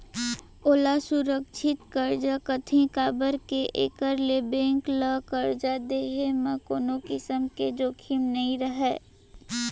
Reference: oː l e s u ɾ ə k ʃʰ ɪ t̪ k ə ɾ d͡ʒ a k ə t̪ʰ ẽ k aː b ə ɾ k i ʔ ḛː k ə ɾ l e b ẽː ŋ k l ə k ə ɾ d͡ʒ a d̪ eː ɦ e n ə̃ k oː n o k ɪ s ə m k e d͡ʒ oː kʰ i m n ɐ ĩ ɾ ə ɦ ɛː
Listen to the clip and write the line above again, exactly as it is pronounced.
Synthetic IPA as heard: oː l a s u ɾ ə k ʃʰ ɪ t̪ k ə ɾ d͡ʒ a k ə t̪ʰ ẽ k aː b ə ɾ k e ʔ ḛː k ə ɾ l e b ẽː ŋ k l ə k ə ɾ d͡ʒ a d̪ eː ɦ e m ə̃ k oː n o k ɪ s ə m k e d͡ʒ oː kʰ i m n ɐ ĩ ɾ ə ɦ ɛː